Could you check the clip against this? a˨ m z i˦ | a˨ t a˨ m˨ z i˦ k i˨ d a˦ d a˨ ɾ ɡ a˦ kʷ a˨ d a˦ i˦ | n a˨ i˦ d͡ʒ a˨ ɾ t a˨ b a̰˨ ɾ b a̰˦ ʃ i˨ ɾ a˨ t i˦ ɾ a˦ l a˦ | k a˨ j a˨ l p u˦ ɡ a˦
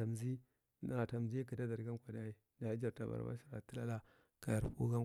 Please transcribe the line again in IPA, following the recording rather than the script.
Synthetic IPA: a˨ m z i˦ | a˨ t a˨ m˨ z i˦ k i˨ d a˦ d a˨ ɾ ɡ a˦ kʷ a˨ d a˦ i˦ | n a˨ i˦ d͡ʒ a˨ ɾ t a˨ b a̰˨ ɾ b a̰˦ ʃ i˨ ɾ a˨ t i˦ l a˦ l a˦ | k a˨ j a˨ ɾ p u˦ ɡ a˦